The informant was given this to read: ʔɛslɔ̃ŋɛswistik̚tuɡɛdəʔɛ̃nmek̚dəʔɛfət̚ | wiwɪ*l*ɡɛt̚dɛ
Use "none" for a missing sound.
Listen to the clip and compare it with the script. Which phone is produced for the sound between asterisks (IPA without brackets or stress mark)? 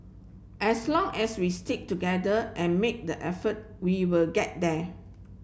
l